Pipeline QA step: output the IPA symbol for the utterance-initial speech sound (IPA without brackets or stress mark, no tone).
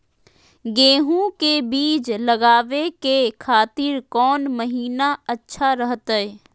ɡ